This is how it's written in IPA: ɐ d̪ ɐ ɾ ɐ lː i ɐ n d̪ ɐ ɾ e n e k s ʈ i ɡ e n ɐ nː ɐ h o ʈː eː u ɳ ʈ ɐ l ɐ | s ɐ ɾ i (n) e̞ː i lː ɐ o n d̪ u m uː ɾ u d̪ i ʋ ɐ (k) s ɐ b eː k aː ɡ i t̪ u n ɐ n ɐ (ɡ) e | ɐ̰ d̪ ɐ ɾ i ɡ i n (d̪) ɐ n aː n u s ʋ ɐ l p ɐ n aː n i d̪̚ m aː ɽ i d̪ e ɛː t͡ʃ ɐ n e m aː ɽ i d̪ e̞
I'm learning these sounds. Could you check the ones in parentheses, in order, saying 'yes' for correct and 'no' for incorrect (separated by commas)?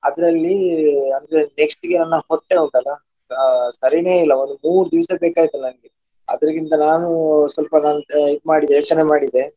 yes, no, yes, no